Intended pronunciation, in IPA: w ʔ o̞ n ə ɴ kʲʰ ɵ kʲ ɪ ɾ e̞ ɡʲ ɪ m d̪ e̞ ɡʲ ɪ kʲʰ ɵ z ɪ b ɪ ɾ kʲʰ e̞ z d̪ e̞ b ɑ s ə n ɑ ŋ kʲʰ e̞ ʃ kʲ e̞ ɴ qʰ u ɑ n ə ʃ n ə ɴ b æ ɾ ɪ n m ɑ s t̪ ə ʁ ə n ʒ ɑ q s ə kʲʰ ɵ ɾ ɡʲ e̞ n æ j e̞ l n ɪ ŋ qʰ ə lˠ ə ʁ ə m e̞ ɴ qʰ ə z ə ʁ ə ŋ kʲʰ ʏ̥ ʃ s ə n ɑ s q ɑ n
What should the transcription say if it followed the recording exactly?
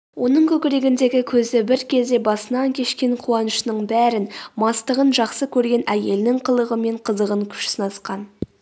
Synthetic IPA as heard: w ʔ o̞ n ə ɴ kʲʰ ɵ kʲ ɪ ɾ e̞ ɡʲ ɪ n d̪ e̞ ɡʲ ɪ kʲʰ ɵ z ɪ b ɪ ɾ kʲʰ e̞ z d̪ e̞ b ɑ s ə n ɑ ŋ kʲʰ e̞ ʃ kʲ e̞ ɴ qʰ u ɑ n ə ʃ n ə ɴ b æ ɾ ɪ n m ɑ s t̪ ə ʁ ə n ʒ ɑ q s ə kʲʰ ɵ ɾ ɡʲ e̞ n æ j e̞ l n ɪ ŋ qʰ ə lˠ ə ʁ ə m e̞ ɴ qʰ ə z ə ʁ ə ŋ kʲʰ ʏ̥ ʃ s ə n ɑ s q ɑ n